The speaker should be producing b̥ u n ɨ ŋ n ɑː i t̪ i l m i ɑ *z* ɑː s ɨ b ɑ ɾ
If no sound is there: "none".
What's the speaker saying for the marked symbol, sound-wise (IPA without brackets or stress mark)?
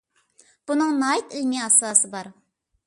s